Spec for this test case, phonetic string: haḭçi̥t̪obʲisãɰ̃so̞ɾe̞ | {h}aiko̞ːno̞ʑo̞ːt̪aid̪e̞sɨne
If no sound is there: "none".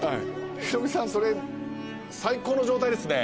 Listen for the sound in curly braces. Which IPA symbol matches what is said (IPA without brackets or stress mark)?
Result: s